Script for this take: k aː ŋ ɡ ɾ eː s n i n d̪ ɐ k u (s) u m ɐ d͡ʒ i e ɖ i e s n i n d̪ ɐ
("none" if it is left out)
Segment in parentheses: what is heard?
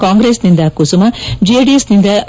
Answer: s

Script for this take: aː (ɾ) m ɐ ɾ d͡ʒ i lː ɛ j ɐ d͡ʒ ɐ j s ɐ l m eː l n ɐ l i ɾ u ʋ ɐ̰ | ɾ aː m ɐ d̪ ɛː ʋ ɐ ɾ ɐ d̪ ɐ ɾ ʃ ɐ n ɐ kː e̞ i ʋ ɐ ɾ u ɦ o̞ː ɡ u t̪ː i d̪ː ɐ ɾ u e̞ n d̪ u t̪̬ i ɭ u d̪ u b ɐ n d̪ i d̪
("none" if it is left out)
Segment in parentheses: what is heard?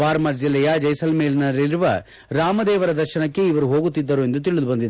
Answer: ɾ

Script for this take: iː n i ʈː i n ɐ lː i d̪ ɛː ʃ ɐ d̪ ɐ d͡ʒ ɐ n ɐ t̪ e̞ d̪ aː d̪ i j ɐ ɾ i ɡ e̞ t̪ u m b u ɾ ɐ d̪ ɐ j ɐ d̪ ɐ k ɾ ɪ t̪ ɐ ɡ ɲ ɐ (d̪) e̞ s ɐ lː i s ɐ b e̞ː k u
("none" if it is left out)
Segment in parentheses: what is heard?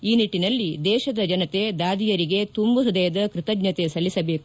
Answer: t̪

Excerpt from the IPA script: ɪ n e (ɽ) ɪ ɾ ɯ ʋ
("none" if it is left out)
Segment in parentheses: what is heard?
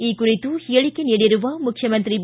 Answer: ɽ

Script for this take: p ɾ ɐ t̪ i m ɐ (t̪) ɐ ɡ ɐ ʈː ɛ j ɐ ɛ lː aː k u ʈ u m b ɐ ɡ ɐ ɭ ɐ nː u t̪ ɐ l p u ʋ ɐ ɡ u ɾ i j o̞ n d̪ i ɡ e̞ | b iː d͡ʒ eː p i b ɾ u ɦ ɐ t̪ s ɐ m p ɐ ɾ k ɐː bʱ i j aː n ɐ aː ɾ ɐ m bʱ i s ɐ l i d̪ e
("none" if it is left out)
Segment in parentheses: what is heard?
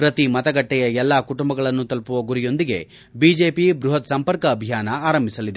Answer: t̪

